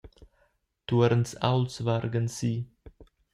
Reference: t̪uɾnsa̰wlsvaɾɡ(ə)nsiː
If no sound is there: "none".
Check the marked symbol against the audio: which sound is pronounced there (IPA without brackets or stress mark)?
ə